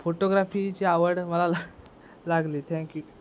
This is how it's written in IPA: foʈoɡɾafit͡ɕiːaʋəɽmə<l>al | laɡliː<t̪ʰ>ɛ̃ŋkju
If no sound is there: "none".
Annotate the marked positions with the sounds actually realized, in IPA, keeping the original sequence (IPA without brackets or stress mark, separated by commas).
l, t̪ʰ